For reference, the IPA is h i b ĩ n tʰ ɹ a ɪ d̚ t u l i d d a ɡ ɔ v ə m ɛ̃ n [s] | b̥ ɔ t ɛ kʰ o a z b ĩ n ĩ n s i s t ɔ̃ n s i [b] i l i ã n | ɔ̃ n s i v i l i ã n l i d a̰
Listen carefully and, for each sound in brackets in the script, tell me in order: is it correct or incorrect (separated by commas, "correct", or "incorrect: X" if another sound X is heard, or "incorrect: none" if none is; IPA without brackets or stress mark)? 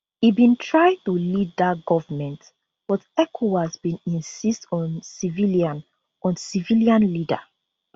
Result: incorrect: t, incorrect: v